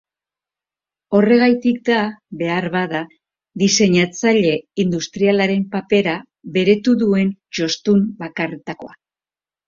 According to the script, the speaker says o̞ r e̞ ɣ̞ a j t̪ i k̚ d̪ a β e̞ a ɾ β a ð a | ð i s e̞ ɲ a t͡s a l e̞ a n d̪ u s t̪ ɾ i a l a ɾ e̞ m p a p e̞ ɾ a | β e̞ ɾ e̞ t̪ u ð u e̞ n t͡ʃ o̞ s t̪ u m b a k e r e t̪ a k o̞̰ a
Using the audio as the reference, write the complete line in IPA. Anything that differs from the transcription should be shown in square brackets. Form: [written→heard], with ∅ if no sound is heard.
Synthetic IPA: o̞ r e̞ ɣ̞ a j t̪ i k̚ d̪ a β e̞ a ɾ β a ð a | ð i s e̞ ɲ a t͡s a [l→ʎ] e̞ [a→i] n d̪ u s t̪ ɾ i a l a ɾ e̞ m p a p e̞ ɾ a | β e̞ ɾ e̞ t̪ u ð u e̞ n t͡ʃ o̞ s t̪ u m b a k [e→a] r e t̪ a k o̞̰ a